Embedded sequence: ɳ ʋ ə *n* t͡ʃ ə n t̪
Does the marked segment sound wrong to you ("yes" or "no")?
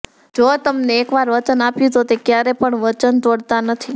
yes